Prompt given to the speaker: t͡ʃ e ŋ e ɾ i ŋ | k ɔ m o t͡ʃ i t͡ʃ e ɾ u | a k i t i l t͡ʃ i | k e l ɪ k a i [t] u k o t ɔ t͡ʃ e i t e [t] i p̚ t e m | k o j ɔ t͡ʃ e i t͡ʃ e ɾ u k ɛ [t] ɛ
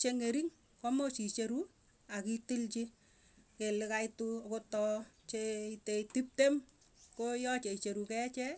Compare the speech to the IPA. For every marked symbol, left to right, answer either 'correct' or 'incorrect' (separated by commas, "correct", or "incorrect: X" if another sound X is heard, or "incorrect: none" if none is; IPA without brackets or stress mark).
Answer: correct, correct, incorrect: t͡ʃ